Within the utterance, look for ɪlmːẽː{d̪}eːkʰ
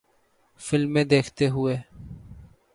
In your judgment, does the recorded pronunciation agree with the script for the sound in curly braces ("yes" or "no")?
yes